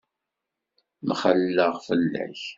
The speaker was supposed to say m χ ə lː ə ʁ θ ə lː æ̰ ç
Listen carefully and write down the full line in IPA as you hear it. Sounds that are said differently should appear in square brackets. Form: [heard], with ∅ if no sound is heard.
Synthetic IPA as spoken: m χ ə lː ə ʁ [f] ə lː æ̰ ç